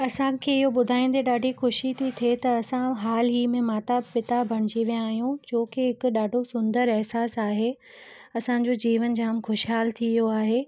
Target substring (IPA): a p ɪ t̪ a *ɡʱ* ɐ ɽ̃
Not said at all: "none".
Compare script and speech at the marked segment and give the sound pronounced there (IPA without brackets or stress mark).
bʱ